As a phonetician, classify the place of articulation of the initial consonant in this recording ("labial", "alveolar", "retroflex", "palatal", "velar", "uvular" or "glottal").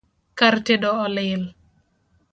velar